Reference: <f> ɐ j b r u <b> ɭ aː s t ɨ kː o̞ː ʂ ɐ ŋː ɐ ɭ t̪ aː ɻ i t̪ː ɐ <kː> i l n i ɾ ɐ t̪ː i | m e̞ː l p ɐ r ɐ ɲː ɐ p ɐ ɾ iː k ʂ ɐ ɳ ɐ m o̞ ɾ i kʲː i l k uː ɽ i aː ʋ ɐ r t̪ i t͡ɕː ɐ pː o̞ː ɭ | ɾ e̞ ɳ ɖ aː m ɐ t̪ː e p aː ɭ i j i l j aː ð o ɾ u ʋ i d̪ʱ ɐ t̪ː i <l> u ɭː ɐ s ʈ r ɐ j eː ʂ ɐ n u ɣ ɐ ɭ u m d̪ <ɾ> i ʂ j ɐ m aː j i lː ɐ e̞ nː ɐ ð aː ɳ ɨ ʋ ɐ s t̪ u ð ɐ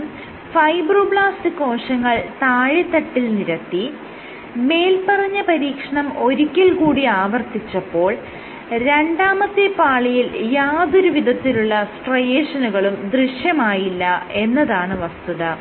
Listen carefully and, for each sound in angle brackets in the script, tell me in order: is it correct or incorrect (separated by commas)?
correct, correct, incorrect, correct, incorrect